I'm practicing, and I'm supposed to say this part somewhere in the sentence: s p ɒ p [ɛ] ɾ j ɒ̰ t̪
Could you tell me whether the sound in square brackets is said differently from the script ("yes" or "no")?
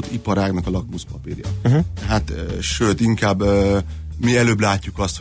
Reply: yes